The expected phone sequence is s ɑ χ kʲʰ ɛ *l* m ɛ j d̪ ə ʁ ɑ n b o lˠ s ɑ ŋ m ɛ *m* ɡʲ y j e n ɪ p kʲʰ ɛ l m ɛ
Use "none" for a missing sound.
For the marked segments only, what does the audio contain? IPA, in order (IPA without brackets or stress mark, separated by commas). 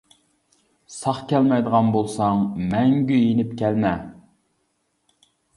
l, ŋ